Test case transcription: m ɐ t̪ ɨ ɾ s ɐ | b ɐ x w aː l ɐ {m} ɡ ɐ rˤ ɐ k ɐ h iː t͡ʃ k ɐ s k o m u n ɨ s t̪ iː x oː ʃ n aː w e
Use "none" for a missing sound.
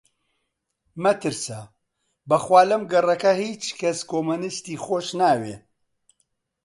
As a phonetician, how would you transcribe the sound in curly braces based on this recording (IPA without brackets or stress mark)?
m